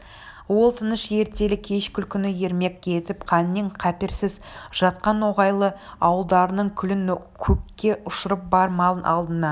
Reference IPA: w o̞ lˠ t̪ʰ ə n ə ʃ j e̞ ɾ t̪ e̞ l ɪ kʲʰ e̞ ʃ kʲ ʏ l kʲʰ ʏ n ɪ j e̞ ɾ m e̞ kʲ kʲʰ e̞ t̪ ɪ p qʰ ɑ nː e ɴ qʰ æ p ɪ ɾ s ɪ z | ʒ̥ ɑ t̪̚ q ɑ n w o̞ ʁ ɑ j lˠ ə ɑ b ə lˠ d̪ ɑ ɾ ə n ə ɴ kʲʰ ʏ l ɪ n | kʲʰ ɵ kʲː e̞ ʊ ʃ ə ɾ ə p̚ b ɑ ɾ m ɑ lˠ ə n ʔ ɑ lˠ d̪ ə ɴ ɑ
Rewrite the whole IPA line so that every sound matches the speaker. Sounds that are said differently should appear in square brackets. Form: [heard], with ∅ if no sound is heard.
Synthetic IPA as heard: w o̞ lˠ t̪ʰ ə n ə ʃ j e̞ ɾ t̪ e̞ l ɪ kʲʰ e̞ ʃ kʲ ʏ l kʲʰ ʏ n ɪ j e̞ ɾ m e̞ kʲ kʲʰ e̞ t̪ ɪ p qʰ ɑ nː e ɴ qʰ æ p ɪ ɾ s ɪ z | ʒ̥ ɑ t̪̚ q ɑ n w o̞ ʁ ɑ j lˠ ə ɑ [w] ə lˠ d̪ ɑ ɾ ə n ə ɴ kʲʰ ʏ l ɪ n | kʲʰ ɵ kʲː e̞ ʊ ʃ ə ɾ ə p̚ b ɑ ɾ m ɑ lˠ ə n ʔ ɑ lˠ d̪ ə [n] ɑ

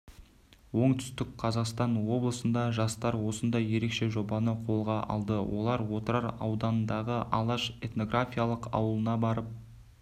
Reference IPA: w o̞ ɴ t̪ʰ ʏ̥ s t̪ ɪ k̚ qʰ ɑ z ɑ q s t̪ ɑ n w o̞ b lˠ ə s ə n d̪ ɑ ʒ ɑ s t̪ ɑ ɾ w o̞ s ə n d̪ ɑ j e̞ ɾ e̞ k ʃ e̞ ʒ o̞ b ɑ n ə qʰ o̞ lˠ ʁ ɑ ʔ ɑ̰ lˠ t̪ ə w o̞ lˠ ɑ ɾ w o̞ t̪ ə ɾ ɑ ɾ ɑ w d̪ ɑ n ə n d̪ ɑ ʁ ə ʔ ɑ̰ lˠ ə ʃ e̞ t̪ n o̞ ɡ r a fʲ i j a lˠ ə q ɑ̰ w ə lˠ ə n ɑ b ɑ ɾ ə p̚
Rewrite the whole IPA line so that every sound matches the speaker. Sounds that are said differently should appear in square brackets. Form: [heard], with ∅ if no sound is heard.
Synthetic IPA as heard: w o̞ ɴ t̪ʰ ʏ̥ s t̪ ɪ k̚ qʰ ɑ z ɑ q s t̪ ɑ n w o̞ b lˠ ə s ə n d̪ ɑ ʒ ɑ s t̪ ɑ ɾ w o̞ s ə n d̪ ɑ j e̞ ɾ e̞ k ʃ e̞ ʒ o̞ b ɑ n ə qʰ o̞ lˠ ʁ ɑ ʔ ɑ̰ lˠ [d̪] ə w o̞ lˠ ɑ ɾ w o̞ t̪ ə ɾ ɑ ɾ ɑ w d̪ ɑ n ə n d̪ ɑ ʁ ə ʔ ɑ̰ lˠ [ɑ] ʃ e̞ t̪ n o̞ ɡ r a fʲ i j a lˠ ə q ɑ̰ w ə lˠ ə n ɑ b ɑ ɾ ə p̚

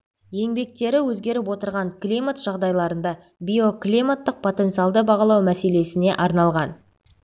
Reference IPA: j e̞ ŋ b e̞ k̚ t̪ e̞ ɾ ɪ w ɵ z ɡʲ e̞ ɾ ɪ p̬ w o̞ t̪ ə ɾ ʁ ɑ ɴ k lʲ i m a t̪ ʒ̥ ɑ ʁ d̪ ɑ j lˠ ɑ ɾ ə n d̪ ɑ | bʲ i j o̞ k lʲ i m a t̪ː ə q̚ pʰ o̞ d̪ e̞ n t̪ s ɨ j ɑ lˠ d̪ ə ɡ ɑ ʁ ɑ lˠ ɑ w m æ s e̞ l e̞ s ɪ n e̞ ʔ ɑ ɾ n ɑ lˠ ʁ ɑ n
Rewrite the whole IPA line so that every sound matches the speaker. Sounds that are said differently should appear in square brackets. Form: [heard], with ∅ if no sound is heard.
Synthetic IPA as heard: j e̞ ŋ b e̞ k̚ t̪ e̞ ɾ ɪ w ɵ z ɡʲ e̞ ɾ ɪ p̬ w o̞ t̪ ə ɾ ʁ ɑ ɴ k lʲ i m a t̪ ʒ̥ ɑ ʁ d̪ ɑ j lˠ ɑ ɾ ə n d̪ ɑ | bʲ i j o̞ k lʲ i m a t̪ː ə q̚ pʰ o̞ [t̪] e̞ n t̪ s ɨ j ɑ lˠ d̪ ə [b] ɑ ʁ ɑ lˠ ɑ w m æ s e̞ l e̞ s ɪ n e̞ ʔ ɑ ɾ n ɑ lˠ ʁ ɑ n

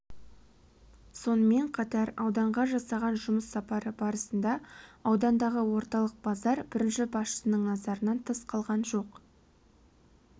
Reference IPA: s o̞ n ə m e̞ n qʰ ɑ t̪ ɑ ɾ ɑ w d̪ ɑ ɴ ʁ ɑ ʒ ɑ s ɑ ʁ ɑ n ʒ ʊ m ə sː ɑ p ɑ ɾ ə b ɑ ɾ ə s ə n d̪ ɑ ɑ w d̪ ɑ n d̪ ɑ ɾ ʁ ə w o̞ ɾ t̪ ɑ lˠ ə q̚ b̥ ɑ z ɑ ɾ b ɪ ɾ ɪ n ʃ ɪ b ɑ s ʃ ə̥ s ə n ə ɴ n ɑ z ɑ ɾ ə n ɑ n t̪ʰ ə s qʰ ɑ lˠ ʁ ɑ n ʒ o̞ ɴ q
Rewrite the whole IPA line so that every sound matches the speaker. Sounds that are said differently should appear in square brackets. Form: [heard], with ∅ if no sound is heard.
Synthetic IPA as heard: s o̞ n ə m e̞ [ɴ] qʰ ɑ t̪ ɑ ɾ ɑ w d̪ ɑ ɴ ʁ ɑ ʒ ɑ s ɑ ʁ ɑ n ʒ ʊ m ə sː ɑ p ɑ ɾ ə b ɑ ɾ ə s ə n d̪ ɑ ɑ w d̪ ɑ n d̪ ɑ [∅] ʁ ə w o̞ ɾ t̪ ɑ lˠ ə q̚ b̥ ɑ z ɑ ɾ b ɪ ɾ ɪ n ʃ ɪ b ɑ s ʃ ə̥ s ə n ə ɴ n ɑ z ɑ ɾ ə n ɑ n t̪ʰ ə s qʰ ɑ lˠ ʁ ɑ n ʒ o̞ [∅] q

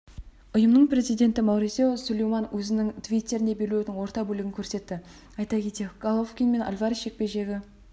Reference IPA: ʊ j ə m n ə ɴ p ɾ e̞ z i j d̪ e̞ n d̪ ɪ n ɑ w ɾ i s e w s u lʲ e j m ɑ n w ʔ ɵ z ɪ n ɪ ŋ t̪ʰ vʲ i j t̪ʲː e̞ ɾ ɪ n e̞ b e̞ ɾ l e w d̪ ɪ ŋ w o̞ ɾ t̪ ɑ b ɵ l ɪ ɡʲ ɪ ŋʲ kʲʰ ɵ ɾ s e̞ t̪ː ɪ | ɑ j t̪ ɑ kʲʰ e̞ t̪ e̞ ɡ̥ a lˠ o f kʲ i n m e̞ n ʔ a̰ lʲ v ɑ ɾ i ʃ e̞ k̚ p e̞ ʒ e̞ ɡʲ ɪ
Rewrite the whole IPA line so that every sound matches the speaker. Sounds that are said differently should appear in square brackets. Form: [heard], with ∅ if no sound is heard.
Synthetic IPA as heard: ʊ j ə m n ə ɴ p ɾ e̞ z i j d̪ e̞ n [t̪] ɪ [m] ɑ w ɾ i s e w s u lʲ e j m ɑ n w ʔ ɵ z ɪ n ɪ ŋ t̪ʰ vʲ i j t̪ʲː e̞ ɾ ɪ n e̞ b e̞ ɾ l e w d̪ ɪ ŋ w o̞ ɾ t̪ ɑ b ɵ l ɪ ɡʲ ɪ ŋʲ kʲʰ ɵ ɾ s e̞ t̪ː ɪ | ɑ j t̪ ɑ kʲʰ e̞ t̪ e̞ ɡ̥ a lˠ o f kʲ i n m e̞ n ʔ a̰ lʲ v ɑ ɾ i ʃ e̞ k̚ p e̞ ʒ e̞ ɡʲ ɪ

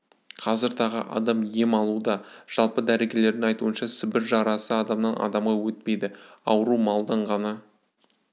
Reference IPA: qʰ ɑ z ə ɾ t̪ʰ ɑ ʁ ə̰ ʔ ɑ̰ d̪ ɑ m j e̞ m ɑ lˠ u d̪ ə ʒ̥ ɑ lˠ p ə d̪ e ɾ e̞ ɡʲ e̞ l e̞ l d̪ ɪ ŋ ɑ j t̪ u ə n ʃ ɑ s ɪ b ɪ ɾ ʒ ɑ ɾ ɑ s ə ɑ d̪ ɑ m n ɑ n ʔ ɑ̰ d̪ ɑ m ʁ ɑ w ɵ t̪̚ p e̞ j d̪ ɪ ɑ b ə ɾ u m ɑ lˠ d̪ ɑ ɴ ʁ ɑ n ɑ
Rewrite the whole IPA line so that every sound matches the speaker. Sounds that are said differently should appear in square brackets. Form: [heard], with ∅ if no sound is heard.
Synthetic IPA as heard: qʰ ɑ z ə ɾ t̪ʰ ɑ ʁ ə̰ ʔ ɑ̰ d̪ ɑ m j e̞ m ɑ lˠ u d̪ [ɑ] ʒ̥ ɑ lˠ p ə d̪ [æ] ɾ e̞ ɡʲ e̞ l e̞ [ɾ] d̪ ɪ ŋ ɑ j t̪ u ə n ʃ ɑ s ɪ b ɪ ɾ ʒ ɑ ɾ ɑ s ə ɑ d̪ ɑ m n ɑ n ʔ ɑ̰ d̪ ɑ m ʁ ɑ w ɵ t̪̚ p e̞ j d̪ ɪ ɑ [w] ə ɾ u m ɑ lˠ d̪ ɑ ɴ ʁ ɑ n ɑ

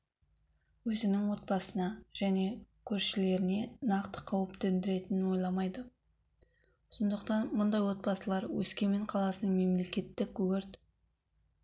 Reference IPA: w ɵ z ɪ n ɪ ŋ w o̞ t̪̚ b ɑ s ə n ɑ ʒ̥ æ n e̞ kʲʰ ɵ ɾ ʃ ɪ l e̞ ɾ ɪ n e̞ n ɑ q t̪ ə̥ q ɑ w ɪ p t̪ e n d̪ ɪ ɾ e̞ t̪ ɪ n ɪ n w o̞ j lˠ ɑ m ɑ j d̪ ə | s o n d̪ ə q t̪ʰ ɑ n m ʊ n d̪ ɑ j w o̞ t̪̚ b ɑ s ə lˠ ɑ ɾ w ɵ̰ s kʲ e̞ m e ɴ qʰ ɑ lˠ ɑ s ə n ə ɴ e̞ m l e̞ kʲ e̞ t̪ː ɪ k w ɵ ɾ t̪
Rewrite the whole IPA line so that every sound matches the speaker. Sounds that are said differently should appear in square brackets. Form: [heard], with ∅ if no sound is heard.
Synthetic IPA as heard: w ɵ z ɪ n ɪ ŋ w o̞ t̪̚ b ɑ s ə n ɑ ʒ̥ æ n e̞ kʲʰ ɵ ɾ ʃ ɪ l e̞ ɾ ɪ n e̞ n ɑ q t̪ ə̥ [qʰ] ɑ w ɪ p t̪ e n d̪ ɪ ɾ e̞ t̪ ɪ n ɪ n w o̞ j lˠ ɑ m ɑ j d̪ ə | s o n d̪ ə q [t̪] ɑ n m ʊ n d̪ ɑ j w o̞ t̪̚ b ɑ s ə lˠ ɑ ɾ w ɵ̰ s kʲ e̞ m e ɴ qʰ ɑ lˠ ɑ s ə n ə [m] e̞ m l e̞ kʲ e̞ t̪ː ɪ k w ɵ ɾ t̪

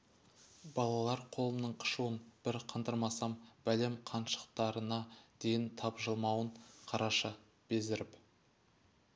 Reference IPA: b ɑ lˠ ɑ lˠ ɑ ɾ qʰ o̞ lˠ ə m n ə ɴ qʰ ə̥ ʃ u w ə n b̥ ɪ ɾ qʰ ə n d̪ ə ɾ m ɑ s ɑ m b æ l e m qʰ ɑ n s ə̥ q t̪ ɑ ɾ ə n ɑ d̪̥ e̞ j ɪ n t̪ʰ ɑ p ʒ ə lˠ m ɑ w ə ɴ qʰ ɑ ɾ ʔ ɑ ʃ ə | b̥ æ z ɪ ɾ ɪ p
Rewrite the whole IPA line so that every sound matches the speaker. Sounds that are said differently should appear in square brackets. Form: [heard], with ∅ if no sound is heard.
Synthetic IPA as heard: b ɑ lˠ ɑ lˠ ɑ ɾ qʰ o̞ lˠ ə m n ə ɴ qʰ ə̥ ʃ u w ə n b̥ ɪ ɾ qʰ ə n d̪ ə ɾ m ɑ s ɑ m b æ l e m qʰ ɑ n [ʃ] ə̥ q t̪ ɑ ɾ ə n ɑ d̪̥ e̞ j ɪ n t̪ʰ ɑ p ʒ ə lˠ m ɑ w ə ɴ qʰ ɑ ɾ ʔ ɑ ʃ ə | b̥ [e] z ɪ ɾ ɪ p

